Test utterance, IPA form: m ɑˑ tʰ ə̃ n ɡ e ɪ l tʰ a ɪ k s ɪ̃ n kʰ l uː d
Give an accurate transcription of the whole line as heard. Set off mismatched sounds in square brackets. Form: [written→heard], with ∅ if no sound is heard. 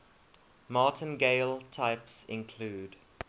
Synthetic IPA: m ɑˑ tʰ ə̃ n ɡ e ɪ l tʰ a ɪ [k→p] s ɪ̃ n kʰ l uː d